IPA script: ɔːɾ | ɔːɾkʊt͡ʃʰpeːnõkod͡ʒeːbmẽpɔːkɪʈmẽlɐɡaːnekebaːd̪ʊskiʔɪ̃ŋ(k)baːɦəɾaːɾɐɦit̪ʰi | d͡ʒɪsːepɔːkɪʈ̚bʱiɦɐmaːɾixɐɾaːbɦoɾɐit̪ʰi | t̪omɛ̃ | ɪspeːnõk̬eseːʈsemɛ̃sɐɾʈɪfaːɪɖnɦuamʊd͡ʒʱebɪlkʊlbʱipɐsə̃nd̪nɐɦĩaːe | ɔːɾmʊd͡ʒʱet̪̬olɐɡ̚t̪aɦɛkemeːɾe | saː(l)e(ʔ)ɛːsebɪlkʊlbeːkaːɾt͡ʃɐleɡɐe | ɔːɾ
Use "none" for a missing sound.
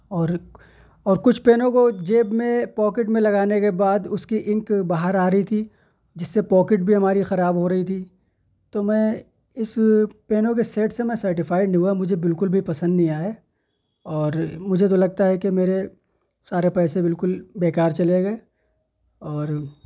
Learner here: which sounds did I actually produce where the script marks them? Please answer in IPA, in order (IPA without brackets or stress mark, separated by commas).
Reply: k, ɾ, p